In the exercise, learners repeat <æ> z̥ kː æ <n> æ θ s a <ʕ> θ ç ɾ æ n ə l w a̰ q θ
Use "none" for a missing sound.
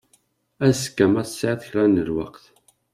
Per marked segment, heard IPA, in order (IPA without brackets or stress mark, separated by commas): æ, m, ʕ